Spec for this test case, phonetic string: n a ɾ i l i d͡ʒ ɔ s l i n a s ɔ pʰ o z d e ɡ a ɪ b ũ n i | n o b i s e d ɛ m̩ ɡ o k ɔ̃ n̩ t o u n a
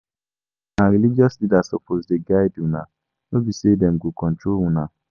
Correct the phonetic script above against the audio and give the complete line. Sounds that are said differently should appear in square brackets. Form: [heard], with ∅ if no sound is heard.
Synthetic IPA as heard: n a ɾ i l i d͡ʒ ɔ s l i [d] a s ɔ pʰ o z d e ɡ a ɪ [d] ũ n [a] | n o b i s e d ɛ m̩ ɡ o k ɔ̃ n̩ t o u n a